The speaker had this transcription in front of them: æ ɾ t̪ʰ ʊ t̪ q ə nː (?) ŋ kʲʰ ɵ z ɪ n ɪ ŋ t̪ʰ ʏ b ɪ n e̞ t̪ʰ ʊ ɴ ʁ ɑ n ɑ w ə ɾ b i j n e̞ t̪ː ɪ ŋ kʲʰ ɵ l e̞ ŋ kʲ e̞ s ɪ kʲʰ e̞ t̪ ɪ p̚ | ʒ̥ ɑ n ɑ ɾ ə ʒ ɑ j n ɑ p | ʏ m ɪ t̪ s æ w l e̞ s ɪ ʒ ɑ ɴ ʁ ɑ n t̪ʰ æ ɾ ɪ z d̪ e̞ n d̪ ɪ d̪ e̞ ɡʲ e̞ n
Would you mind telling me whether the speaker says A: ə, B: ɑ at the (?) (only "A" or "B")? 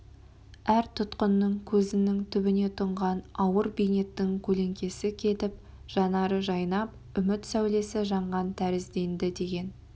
A